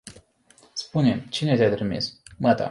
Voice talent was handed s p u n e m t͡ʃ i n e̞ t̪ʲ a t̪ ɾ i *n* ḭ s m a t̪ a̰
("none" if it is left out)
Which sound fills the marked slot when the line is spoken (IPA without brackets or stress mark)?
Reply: m